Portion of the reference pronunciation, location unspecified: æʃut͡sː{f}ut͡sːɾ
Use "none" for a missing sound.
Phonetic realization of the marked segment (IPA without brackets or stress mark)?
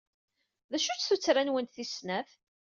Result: θ